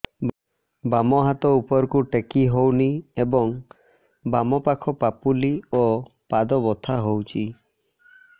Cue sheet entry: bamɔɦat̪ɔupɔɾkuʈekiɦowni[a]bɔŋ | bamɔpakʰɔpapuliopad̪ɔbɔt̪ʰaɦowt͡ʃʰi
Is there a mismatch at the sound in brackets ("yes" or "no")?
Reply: yes